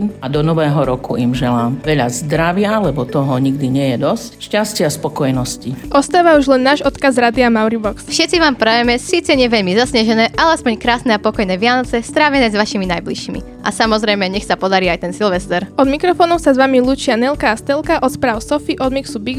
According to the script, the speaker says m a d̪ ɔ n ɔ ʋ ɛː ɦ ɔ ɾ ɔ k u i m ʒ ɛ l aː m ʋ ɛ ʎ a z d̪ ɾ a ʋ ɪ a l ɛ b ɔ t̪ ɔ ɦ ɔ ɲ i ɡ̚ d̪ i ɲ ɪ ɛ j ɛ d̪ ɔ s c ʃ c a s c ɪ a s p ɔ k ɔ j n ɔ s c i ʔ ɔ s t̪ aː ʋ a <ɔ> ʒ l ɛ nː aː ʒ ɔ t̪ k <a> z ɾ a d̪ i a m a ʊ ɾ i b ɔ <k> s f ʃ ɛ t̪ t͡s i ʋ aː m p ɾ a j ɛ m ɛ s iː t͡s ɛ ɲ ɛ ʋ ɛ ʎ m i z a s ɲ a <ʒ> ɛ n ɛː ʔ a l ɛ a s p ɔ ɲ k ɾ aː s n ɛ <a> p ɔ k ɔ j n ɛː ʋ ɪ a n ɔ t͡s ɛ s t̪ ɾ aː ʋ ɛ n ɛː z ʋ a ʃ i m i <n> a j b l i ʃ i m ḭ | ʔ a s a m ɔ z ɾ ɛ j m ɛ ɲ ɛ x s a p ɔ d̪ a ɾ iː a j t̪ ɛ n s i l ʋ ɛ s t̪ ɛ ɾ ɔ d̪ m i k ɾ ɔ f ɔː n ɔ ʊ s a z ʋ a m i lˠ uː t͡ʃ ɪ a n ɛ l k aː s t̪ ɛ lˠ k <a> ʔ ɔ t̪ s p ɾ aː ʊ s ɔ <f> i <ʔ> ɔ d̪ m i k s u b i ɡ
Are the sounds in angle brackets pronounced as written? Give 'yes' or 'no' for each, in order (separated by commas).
no, yes, yes, yes, yes, yes, yes, yes, yes